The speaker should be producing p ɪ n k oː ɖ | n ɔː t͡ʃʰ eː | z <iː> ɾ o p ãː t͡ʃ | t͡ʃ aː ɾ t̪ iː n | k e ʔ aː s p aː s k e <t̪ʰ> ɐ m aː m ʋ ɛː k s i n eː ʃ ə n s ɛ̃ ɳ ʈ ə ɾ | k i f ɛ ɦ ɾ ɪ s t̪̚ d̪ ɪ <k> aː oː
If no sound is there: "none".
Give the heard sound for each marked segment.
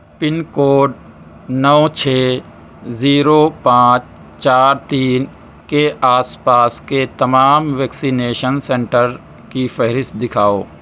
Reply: iː, t̪, kʰ

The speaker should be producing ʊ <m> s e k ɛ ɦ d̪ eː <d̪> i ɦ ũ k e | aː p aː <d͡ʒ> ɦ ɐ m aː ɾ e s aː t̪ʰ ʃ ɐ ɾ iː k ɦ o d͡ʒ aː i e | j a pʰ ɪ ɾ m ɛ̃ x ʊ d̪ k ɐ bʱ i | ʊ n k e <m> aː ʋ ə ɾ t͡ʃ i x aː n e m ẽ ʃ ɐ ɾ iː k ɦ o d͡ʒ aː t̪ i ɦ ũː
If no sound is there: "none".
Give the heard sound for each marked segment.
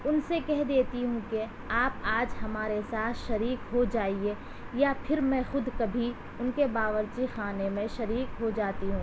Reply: n, t̪, d͡ʒ, b

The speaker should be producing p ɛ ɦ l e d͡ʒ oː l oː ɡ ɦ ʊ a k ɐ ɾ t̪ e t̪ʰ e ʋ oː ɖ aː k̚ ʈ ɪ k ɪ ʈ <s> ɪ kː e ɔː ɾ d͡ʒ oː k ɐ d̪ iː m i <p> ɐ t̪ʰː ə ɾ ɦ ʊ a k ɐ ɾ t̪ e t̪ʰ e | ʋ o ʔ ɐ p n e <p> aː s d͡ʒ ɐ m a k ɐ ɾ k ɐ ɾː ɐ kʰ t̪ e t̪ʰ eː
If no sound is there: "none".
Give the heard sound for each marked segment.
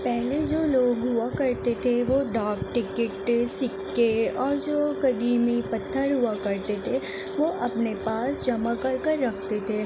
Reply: s, p, p

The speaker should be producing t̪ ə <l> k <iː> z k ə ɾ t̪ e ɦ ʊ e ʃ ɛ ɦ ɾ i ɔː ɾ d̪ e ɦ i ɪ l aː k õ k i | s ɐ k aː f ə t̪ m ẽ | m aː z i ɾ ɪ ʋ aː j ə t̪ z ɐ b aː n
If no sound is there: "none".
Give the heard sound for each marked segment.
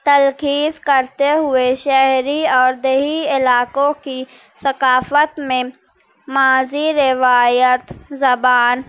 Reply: l, iː

